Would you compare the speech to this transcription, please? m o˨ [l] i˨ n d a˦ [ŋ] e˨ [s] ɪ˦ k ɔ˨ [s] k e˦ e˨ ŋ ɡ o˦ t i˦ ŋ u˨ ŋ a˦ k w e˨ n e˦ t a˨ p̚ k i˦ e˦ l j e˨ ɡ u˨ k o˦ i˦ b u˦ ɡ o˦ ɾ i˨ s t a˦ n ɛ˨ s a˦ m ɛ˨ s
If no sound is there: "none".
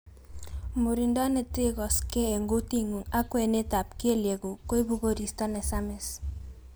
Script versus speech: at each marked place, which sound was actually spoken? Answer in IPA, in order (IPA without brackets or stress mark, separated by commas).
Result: ɾ, n, t, s